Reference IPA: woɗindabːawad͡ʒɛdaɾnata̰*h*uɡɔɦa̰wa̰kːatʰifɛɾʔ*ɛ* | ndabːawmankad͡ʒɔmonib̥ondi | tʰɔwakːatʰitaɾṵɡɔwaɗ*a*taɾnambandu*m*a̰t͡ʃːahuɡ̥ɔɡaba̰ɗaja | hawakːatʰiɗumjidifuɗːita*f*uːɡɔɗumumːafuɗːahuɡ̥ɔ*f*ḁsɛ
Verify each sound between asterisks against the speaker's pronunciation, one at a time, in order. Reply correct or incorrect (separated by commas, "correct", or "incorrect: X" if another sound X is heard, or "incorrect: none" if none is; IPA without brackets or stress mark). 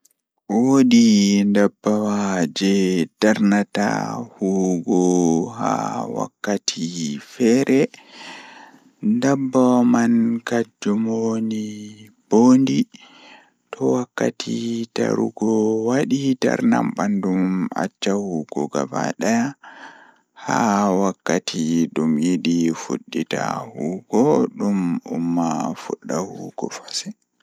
correct, correct, incorrect: i, correct, incorrect: h, correct